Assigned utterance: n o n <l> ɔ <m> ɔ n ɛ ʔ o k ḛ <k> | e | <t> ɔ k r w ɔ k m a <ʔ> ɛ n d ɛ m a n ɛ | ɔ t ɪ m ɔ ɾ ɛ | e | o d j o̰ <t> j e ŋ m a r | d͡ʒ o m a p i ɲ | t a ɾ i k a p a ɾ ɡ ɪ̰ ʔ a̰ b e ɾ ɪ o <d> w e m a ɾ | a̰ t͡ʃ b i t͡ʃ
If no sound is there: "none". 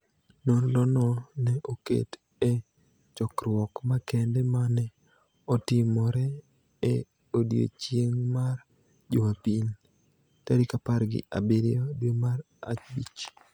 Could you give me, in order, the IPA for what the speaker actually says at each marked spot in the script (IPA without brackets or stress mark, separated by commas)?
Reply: l, n, t, t͡ʃ, k, t͡ʃ, d